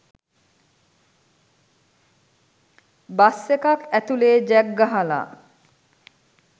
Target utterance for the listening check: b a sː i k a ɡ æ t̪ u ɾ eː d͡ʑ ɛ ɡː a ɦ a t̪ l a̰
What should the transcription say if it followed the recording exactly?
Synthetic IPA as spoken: b a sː e k a k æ t̪ u l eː d͡ʑ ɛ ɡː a ɦ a l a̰